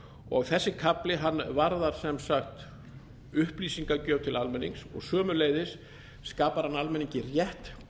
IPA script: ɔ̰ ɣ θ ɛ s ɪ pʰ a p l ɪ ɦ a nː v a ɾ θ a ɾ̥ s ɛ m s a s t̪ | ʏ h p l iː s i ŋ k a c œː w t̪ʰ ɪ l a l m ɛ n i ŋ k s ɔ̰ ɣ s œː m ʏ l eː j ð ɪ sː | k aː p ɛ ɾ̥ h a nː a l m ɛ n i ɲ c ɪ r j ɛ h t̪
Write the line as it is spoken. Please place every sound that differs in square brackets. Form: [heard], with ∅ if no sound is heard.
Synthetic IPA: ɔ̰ ɣ θ ɛ [sː] ɪ [kʰ] a p l ɪ ɦ a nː v a ɾ [ð] a ɾ̥ s ɛ m s a [x] t̪ | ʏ h p l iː s i ŋ k a c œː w t̪ʰ ɪ l a l m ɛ n i ŋ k s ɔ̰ ɣ s œː m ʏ l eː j ð ɪ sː | k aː p [a] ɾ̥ h a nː a l m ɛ n i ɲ c ɪ r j ɛ h t̪

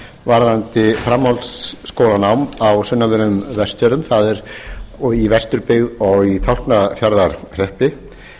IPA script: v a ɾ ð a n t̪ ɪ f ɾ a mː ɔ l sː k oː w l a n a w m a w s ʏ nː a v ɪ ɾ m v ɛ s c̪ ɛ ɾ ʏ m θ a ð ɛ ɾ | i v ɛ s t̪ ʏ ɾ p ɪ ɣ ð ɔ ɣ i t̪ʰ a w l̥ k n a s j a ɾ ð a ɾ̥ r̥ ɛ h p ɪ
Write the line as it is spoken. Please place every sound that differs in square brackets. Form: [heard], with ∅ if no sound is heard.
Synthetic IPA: v a ɾ ð a n t̪ ɪ f ɾ a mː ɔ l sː k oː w l a n a w m a w s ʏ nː a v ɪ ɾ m v ɛ s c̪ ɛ ɾ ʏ m θ a ð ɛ ɾ | i v ɛ s t̪ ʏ ɾ p ɪ ɣ ð ɔ ɣ i t̪ʰ a w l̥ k n a [f] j a ɾ ð a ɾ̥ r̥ ɛ h p ɪ

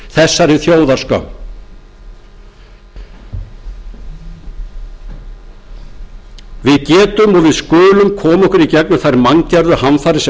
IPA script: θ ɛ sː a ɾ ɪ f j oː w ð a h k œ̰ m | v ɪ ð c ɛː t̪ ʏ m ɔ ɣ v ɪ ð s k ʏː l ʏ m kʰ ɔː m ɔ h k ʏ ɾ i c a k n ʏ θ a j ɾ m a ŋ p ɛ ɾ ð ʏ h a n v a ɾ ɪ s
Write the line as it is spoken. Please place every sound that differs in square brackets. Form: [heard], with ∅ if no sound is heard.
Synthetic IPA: θ ɛ sː a ɾ ɪ [θ] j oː w ð a [s] k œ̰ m | v ɪ ð c ɛː t̪ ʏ m ɔ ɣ v ɪ ð s k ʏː l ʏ m kʰ ɔː m ɔ h k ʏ ɾ i c [ɛ] k n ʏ θ a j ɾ m a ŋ [c] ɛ ɾ ð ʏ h a n [f] a ɾ ɪ s

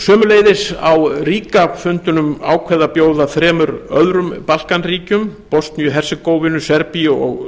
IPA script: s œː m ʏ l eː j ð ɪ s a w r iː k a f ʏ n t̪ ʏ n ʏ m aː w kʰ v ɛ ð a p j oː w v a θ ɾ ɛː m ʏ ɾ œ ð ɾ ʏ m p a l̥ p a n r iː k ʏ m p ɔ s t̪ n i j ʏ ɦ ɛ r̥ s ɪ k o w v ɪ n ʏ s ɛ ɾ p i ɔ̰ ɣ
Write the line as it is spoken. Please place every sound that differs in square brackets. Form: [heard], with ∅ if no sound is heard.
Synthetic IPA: s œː m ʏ l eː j ð ɪ s a w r iː k a f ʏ n t̪ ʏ n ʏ m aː w kʰ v ɛ ð a p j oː w [ð] a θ ɾ ɛː m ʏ ɾ œ ð ɾ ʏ m p a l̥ [k] a n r iː [c] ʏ m p ɔ s t̪ n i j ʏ ɦ ɛ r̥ s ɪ k o w v ɪ n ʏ s ɛ ɾ p i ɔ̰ ɣ

